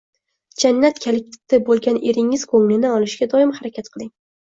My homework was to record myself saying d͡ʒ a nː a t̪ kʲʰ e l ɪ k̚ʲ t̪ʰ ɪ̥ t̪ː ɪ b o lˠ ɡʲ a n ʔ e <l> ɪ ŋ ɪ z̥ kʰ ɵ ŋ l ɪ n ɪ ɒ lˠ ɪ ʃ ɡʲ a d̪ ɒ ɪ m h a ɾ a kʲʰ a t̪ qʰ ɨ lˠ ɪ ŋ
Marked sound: incorrect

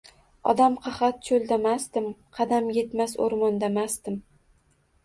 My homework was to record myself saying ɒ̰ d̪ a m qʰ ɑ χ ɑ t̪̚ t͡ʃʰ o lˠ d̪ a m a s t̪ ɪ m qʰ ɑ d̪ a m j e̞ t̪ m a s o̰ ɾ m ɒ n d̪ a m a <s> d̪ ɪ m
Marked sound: correct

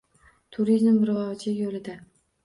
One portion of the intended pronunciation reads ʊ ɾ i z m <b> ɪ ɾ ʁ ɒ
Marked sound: correct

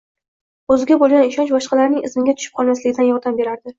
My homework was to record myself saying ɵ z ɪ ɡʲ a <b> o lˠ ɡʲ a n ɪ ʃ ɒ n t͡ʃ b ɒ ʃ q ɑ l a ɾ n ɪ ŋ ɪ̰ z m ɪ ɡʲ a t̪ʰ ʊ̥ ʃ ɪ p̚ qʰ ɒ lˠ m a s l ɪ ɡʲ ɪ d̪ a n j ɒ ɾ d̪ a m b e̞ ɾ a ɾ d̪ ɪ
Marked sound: correct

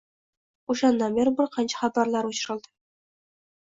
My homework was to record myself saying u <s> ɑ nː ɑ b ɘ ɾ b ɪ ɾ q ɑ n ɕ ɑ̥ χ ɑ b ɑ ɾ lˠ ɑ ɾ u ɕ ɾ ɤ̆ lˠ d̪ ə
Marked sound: incorrect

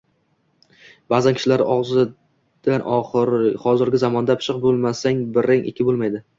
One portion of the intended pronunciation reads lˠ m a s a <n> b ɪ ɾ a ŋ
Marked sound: incorrect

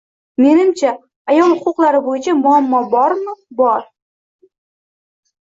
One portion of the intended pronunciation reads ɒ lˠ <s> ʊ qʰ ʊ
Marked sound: incorrect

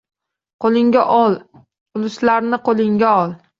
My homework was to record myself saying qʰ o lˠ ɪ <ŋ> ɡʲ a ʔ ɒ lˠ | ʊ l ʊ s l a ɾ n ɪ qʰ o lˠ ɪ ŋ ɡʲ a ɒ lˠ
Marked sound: correct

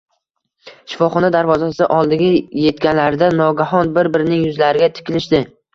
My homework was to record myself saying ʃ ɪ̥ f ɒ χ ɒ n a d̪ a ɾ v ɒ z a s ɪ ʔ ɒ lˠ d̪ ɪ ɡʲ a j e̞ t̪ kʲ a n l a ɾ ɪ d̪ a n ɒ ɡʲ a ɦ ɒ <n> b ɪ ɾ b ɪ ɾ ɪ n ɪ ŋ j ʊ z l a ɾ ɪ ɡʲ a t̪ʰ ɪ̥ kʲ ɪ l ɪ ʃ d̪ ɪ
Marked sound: correct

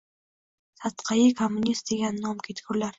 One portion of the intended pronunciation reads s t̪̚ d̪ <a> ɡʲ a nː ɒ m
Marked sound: incorrect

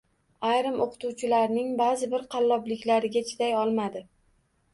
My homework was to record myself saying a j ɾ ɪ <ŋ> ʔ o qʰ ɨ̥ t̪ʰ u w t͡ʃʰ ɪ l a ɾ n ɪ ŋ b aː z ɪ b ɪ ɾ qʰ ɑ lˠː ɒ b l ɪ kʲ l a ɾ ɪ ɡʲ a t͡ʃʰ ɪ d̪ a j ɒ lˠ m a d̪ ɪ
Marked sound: incorrect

